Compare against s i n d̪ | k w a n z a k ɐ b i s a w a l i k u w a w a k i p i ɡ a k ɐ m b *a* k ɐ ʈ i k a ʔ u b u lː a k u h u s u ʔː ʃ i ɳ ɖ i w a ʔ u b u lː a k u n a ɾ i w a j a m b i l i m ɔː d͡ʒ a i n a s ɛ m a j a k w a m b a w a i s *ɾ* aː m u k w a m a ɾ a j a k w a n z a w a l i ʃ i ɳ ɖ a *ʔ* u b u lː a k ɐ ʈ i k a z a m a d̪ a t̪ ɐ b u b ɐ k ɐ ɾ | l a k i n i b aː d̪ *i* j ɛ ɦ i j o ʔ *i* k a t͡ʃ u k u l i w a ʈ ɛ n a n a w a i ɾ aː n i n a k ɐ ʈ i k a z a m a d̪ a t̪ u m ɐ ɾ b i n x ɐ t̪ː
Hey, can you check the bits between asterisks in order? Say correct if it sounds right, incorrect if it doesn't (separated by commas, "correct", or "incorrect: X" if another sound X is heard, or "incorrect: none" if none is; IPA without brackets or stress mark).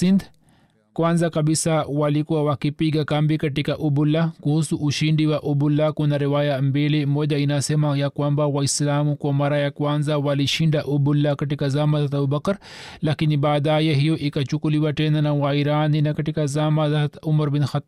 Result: incorrect: i, incorrect: l, correct, incorrect: a, correct